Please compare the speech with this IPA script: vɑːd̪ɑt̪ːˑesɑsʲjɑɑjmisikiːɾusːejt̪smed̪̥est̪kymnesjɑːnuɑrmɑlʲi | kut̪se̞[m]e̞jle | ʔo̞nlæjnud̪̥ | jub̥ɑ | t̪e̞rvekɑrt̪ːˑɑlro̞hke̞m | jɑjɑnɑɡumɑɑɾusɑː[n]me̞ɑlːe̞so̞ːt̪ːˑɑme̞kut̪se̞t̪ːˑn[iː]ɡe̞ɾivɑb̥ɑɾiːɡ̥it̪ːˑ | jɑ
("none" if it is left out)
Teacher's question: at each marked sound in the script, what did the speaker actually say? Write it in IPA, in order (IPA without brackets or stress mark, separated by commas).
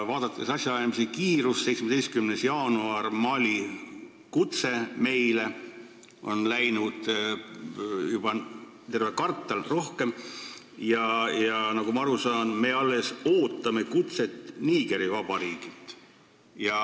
m, n, iː